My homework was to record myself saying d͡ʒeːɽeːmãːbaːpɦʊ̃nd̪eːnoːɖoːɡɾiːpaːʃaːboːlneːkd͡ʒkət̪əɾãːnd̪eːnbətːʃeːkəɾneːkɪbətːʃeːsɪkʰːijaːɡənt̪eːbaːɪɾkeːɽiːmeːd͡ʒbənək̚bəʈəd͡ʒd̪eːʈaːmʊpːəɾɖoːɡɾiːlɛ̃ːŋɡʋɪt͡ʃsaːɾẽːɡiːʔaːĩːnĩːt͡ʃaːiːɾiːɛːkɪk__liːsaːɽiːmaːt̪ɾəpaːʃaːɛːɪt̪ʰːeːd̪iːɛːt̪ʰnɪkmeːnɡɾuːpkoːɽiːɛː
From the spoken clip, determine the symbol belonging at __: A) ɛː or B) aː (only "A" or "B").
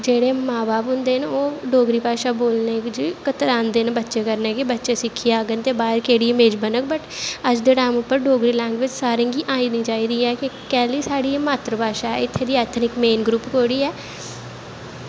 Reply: A